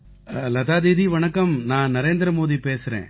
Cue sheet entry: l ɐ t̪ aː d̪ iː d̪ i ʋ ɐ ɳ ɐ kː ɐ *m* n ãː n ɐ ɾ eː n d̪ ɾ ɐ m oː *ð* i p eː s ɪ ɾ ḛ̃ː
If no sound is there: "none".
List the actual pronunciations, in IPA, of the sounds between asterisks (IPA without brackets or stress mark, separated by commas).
m, ð